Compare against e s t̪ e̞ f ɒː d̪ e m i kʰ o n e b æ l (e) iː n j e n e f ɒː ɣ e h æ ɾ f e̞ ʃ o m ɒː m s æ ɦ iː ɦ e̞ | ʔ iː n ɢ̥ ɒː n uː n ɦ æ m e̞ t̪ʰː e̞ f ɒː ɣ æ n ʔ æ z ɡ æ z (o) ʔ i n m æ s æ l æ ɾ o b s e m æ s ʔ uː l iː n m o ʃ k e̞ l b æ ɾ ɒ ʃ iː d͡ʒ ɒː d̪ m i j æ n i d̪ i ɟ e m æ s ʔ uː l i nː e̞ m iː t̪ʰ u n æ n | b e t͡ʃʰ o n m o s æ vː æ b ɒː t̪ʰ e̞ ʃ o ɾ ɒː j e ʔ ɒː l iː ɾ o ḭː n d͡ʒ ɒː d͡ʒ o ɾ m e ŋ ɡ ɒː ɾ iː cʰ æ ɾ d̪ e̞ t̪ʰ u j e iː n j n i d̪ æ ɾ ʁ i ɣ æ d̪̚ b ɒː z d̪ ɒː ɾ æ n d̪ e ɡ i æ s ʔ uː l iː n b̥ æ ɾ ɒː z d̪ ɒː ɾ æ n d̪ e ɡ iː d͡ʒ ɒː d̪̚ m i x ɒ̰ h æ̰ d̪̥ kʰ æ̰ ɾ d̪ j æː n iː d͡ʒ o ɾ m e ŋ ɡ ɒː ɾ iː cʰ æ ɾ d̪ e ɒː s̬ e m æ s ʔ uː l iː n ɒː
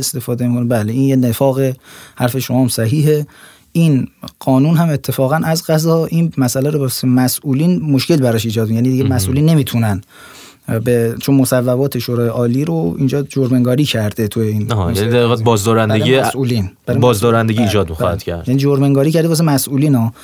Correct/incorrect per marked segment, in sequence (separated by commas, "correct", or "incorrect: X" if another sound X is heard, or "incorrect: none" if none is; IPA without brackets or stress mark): correct, incorrect: ɒ